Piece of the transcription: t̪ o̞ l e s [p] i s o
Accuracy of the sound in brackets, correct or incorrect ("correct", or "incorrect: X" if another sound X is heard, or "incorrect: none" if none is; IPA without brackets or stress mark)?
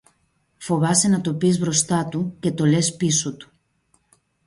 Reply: correct